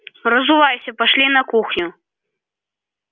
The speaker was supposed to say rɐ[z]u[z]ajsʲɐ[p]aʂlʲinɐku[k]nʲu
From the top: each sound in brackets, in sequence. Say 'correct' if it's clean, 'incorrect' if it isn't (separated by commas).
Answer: correct, incorrect, correct, incorrect